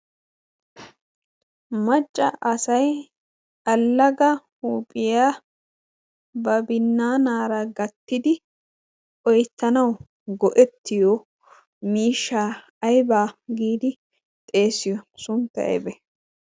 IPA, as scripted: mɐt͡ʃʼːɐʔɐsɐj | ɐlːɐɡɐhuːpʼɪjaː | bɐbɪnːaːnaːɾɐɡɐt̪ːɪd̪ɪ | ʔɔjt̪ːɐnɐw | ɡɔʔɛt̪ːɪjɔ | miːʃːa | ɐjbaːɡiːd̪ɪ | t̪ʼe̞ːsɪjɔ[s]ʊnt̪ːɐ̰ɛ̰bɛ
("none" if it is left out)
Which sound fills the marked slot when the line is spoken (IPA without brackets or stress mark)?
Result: s